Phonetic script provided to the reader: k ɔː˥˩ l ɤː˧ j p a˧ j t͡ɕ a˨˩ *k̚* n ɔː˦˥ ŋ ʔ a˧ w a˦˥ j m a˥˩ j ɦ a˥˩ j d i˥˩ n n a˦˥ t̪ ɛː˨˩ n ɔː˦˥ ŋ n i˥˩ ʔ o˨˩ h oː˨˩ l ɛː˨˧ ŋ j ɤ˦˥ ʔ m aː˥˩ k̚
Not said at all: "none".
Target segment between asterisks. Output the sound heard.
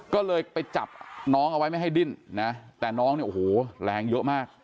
p̚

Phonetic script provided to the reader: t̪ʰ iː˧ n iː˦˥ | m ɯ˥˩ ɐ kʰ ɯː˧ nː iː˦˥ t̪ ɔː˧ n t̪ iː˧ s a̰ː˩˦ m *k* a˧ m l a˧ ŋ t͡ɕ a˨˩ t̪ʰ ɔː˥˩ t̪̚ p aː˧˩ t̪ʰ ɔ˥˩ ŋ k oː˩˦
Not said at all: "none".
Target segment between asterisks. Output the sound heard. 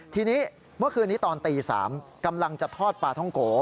k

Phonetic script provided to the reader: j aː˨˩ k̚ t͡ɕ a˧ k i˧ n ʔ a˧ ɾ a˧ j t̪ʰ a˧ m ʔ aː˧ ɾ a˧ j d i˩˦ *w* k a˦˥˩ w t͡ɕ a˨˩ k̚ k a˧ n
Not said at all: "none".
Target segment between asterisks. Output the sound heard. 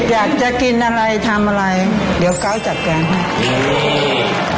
w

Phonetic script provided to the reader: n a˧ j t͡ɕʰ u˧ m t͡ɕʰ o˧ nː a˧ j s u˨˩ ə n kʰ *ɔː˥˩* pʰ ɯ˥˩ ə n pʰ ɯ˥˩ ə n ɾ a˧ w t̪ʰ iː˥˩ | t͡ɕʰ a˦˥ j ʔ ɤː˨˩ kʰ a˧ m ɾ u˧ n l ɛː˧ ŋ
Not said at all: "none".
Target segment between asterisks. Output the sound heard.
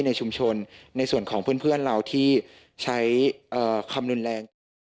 ɔː˩˦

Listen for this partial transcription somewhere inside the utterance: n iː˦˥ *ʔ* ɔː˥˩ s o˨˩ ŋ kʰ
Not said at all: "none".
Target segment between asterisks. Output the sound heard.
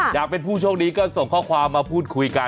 k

